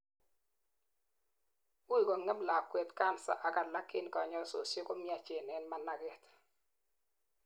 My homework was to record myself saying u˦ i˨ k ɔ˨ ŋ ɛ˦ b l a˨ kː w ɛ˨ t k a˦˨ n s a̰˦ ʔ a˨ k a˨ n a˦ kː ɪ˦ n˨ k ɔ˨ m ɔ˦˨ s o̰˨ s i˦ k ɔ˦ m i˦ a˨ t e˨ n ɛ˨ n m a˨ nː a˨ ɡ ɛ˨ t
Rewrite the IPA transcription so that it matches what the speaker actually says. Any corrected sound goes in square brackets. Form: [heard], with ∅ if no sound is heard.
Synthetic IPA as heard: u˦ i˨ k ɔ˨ ŋ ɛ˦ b l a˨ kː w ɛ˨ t k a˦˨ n s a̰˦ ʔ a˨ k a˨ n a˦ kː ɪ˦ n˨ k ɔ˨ [ɲ] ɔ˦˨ s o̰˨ s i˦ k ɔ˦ m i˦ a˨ [t͡ʃ] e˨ n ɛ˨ n m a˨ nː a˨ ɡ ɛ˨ t